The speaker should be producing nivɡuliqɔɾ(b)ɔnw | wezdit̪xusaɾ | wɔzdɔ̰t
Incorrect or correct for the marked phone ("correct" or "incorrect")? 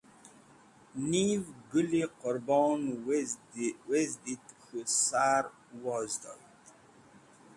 correct